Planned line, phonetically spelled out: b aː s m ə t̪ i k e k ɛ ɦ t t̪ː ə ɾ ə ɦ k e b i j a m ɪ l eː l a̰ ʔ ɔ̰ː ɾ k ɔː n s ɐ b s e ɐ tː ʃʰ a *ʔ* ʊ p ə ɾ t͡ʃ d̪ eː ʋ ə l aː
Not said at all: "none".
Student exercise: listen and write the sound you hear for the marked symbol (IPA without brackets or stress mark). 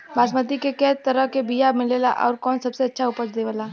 none